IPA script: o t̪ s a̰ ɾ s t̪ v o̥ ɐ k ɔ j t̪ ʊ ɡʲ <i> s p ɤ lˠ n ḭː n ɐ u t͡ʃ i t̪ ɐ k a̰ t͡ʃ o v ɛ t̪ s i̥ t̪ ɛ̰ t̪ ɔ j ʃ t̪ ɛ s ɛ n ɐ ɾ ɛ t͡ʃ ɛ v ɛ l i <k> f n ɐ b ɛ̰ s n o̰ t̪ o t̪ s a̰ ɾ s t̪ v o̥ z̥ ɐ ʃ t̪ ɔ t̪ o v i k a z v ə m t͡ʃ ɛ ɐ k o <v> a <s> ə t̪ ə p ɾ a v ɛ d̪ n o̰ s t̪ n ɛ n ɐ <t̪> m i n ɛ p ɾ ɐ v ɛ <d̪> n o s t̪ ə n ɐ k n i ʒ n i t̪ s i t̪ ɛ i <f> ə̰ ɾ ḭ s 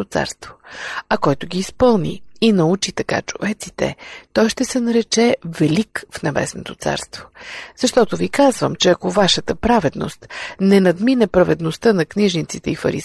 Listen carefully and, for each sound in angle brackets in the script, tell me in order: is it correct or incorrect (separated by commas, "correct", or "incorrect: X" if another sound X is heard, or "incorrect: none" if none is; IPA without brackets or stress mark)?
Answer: incorrect: iː, correct, correct, incorrect: ʃ, incorrect: d̪, correct, correct